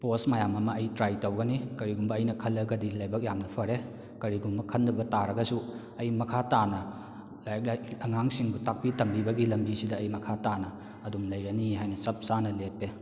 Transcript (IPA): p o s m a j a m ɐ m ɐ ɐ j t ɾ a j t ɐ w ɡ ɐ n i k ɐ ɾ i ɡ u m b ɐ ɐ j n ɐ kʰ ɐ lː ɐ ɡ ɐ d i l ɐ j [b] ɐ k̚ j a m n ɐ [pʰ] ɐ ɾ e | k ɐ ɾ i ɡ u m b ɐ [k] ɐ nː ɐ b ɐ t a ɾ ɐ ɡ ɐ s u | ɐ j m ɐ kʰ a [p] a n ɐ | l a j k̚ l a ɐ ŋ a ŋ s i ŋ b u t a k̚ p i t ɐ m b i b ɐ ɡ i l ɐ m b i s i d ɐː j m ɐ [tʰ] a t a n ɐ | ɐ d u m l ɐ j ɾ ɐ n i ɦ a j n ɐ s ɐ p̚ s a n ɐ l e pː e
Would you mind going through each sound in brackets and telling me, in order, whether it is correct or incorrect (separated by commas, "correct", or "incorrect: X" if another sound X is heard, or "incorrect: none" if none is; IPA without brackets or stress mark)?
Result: correct, correct, incorrect: kʰ, incorrect: t, incorrect: kʰ